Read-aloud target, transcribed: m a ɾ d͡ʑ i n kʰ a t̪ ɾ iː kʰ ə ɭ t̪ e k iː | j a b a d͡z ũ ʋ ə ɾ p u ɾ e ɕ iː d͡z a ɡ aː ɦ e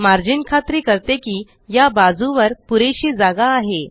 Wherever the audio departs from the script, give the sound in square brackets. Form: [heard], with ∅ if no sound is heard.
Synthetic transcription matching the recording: m a ɾ d͡ʑ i n kʰ a t̪ ɾ iː [k] ə [ɾ] t̪ e k iː | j a b a d͡z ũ ʋ ə ɾ p u ɾ e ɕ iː d͡z a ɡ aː ɦ e

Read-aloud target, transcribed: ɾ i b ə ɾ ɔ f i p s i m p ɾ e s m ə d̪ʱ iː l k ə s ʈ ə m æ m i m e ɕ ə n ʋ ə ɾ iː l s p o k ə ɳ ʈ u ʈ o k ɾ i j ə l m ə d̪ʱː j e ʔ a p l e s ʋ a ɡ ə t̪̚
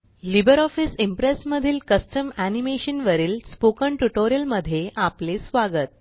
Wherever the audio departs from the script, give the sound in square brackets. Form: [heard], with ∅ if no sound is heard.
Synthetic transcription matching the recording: [l] i b ə ɾ ɔ f i [∅] s i m p ɾ e s m ə d̪ʱ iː l k ə s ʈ ə m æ [n] i m e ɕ ə n ʋ ə ɾ iː l s p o k ə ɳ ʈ u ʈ o [∅] ɾ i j ə l m ə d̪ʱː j e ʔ a p l e s ʋ a ɡ ə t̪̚

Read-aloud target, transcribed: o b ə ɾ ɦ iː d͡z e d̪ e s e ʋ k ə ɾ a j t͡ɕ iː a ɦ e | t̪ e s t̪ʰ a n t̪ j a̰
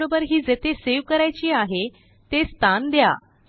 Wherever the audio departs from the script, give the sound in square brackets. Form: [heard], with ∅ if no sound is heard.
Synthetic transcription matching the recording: o b ə ɾ ɦ iː d͡z e [t̪] e s e ʋ k ə ɾ a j t͡ɕ iː a ɦ e | t̪ e s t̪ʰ a n [d̪] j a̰

